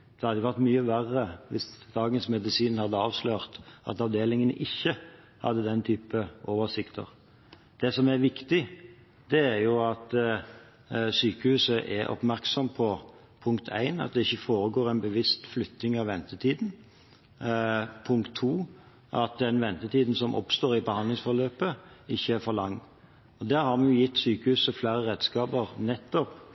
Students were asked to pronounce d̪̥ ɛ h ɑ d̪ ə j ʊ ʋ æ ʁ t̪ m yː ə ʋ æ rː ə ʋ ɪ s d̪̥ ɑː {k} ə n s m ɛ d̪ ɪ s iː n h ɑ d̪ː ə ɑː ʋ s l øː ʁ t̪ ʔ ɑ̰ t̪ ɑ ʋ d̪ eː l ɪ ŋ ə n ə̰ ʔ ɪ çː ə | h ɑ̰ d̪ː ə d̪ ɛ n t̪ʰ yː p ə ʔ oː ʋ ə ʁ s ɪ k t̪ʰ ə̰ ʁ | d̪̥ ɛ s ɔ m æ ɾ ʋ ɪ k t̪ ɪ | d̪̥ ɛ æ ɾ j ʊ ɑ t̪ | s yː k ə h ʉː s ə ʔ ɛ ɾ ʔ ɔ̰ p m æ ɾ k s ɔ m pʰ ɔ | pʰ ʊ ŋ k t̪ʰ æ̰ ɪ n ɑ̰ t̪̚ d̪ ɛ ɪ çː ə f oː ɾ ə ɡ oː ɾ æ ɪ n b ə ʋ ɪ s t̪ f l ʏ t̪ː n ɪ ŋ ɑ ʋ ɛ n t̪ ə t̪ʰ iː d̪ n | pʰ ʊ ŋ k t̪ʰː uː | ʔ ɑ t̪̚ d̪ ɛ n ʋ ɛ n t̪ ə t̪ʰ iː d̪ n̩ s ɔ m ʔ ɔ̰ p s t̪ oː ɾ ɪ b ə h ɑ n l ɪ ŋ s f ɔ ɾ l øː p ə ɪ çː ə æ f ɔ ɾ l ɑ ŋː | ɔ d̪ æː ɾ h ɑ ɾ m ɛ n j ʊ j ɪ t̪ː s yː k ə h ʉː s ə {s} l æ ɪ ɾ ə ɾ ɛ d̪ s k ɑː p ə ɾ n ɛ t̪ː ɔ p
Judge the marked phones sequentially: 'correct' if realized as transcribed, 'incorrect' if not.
incorrect: ɡ, incorrect: f

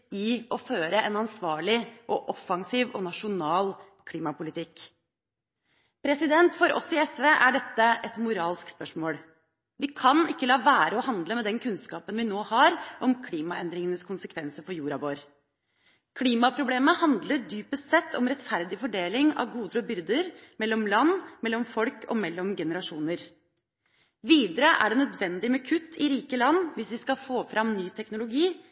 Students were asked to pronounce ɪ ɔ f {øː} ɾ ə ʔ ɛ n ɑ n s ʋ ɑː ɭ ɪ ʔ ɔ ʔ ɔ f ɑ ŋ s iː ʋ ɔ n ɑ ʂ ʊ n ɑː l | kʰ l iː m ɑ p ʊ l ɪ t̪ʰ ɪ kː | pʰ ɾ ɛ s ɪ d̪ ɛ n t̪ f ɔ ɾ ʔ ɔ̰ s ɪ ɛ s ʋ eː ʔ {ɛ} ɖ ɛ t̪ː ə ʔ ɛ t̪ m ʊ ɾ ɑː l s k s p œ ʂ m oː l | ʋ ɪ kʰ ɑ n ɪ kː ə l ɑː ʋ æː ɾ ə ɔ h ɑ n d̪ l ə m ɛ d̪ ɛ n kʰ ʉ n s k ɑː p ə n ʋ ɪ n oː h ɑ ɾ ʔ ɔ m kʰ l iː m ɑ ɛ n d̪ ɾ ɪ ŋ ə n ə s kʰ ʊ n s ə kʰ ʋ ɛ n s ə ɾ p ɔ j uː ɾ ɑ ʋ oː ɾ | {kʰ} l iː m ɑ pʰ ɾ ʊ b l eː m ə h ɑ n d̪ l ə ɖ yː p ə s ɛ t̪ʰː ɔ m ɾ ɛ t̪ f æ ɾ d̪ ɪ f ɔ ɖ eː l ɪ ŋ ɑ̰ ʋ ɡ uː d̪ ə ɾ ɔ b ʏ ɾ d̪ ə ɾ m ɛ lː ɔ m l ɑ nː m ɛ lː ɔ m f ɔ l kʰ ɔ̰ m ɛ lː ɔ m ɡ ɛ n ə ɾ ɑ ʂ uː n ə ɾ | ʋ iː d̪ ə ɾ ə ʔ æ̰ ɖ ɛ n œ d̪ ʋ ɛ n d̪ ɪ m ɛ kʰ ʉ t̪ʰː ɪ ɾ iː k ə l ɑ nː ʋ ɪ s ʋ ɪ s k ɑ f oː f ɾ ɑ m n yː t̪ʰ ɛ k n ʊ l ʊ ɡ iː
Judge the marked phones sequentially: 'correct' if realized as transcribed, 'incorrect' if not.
correct, incorrect: æ, correct

